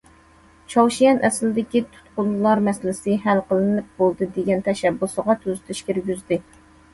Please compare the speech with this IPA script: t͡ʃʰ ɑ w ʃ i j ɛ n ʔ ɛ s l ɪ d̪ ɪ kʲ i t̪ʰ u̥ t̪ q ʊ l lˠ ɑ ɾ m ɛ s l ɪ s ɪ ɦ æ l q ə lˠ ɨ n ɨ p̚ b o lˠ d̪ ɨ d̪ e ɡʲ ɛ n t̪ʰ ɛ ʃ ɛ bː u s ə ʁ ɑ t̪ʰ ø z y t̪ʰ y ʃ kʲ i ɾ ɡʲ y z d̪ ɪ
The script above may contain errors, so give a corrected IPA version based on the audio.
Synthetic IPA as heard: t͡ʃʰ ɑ w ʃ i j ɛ n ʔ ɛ s l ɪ d̪ ɪ kʲ i t̪ʰ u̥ t̪ q ʊ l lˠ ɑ ɾ m ɛ s l ɪ s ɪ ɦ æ l q ə lˠ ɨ n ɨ p̚ b o lˠ d̪ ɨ d̪ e ɡʲ ɛ n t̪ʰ ɛ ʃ ɛ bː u s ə ʁ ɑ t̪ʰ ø z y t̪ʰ y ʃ kʲ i ɾ ɡʲ y z d̪ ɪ